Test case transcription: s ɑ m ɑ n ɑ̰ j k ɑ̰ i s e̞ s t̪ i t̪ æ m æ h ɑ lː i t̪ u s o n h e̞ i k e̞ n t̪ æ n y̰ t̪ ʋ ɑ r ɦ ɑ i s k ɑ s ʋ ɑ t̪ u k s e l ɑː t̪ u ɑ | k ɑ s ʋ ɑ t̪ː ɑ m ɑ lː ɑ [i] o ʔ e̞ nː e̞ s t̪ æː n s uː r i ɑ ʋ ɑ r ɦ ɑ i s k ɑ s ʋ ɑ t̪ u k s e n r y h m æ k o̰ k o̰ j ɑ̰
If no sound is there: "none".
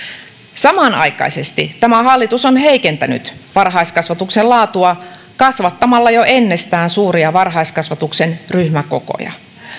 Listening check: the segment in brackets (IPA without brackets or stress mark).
j